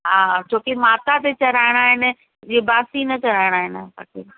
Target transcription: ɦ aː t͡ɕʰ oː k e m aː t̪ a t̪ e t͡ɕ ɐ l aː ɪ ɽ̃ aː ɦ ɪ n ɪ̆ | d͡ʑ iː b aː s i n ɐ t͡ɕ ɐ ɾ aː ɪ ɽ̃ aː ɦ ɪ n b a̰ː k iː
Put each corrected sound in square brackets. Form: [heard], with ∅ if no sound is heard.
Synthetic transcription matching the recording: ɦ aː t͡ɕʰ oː k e m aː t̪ a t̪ e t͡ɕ ɐ [ɾ] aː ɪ ɽ̃ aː ɦ ɪ n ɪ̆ | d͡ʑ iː b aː s i n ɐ t͡ɕ ɐ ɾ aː ɪ ɽ̃ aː ɦ ɪ n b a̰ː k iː